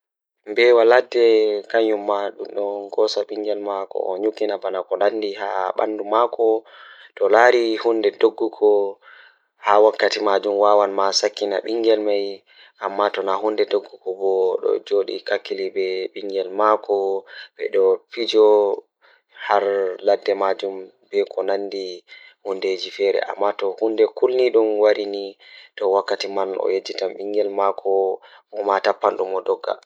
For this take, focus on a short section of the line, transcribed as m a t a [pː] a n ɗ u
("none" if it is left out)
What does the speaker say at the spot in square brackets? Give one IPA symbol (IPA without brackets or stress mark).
pː